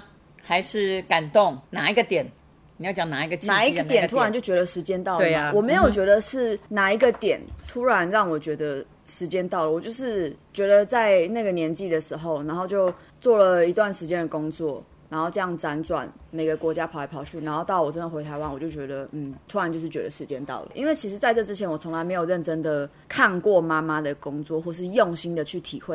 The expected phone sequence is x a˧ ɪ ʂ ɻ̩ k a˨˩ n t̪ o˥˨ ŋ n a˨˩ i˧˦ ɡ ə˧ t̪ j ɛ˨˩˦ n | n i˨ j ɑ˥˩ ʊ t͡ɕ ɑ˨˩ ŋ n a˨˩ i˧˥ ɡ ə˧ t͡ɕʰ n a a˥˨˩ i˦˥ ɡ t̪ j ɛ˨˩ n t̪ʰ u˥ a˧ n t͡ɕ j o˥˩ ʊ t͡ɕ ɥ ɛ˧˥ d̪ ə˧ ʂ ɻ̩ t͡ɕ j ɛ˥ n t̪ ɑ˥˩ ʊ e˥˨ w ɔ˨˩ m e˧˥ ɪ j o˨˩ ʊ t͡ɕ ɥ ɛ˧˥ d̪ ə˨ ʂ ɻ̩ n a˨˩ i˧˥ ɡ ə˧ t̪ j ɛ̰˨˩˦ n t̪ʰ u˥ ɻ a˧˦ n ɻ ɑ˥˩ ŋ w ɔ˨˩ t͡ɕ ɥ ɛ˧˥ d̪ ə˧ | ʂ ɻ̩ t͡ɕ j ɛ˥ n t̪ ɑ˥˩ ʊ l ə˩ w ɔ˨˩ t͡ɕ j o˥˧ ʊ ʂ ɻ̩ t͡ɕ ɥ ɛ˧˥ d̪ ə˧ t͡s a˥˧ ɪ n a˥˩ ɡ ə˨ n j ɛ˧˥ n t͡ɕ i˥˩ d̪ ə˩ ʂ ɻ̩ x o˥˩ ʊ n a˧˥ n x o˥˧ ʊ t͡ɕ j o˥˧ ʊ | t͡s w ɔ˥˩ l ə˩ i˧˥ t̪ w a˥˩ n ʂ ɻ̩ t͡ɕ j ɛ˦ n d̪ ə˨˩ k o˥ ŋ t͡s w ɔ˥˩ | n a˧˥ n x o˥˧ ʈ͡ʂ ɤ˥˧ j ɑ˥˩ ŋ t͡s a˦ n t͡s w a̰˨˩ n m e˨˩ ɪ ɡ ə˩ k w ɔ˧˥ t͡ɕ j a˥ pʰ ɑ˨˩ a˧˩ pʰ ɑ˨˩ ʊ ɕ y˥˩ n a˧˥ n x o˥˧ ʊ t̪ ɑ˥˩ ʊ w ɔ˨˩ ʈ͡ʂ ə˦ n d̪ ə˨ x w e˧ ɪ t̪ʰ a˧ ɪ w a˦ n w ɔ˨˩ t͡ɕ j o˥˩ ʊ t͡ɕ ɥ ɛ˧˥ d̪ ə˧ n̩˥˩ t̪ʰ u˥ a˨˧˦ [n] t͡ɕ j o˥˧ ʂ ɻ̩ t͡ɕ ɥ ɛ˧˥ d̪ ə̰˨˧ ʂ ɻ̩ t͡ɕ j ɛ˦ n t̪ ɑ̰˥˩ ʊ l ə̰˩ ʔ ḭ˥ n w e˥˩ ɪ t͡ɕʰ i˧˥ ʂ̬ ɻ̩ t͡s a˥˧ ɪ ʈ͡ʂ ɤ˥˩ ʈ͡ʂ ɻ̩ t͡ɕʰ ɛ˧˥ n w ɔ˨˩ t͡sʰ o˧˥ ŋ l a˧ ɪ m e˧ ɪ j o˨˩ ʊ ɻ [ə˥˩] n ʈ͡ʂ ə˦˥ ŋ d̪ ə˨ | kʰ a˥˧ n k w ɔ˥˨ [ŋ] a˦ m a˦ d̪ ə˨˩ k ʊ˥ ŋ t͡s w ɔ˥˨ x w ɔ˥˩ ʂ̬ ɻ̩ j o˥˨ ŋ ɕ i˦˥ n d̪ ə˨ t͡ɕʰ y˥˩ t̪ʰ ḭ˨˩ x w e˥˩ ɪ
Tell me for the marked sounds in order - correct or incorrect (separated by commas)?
correct, correct, incorrect